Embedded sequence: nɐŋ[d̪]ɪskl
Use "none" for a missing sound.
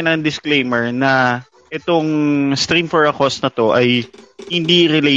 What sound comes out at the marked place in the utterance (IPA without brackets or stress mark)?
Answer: d̪